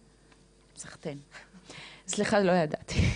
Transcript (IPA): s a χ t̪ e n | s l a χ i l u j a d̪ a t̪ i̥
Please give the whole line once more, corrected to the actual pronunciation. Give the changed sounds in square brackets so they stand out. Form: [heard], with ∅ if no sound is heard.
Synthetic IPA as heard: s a χ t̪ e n | s l [i] χ [a] l [o] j a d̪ a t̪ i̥